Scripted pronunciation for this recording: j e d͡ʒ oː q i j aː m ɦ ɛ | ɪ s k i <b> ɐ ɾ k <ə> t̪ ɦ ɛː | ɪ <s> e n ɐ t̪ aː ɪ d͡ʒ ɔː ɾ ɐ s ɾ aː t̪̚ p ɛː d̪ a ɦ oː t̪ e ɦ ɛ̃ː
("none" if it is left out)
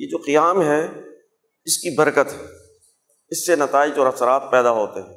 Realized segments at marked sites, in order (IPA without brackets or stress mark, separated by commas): b, ə, sː